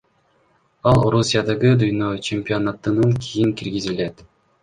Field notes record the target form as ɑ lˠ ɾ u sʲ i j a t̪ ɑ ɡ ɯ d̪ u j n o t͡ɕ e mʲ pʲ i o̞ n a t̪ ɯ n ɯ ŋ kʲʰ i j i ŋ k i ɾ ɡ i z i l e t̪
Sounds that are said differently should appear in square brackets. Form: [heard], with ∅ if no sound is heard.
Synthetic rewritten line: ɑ lˠ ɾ u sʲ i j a [d̪] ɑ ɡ ɯ d̪ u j n o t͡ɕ e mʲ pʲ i o̞ n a t̪ ɯ n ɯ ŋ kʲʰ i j i ŋ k i ɾ ɡ i z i l e t̪